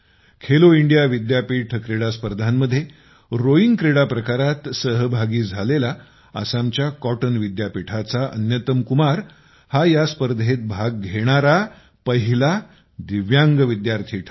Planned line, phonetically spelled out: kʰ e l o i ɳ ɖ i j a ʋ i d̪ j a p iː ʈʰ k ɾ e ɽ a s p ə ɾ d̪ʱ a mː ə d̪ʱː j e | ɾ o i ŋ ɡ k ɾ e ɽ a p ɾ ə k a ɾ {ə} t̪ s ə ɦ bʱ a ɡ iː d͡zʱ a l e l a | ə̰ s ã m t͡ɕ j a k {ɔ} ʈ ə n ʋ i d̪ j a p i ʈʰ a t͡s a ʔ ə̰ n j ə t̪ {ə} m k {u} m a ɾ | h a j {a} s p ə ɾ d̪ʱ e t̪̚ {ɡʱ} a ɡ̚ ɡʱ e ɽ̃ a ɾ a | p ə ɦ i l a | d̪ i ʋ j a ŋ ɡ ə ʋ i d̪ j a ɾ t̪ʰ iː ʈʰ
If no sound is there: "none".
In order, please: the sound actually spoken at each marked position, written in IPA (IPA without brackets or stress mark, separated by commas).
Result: a, ɔ, ə, u, a, bʱ